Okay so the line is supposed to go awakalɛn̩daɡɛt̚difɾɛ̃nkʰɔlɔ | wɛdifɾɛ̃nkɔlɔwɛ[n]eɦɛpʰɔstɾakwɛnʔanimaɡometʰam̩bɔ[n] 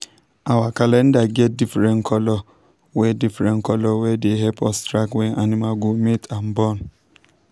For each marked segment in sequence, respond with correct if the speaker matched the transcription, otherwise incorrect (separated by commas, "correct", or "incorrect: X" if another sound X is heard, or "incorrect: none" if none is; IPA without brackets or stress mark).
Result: incorrect: d, correct